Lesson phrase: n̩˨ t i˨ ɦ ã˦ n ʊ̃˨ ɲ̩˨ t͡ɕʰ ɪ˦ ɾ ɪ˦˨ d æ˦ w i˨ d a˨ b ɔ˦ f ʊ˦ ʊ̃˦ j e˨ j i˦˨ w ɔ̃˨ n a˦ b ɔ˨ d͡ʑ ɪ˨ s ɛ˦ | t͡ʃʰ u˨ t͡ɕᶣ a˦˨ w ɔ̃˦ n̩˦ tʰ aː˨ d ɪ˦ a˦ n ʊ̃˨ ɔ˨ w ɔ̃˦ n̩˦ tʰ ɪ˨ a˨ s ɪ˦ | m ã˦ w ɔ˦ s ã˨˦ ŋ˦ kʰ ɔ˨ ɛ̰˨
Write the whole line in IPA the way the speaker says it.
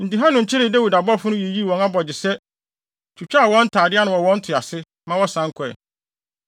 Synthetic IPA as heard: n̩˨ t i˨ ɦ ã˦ n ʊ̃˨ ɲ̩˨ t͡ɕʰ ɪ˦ ɾ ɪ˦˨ d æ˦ w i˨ d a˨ b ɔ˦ f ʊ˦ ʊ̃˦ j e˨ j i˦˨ w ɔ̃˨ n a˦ b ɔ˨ d͡ʑ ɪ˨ s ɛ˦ | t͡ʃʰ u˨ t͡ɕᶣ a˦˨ w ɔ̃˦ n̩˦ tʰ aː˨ d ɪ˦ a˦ n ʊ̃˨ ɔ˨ w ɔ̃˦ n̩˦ tʰ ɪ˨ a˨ s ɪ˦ | m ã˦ w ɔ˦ s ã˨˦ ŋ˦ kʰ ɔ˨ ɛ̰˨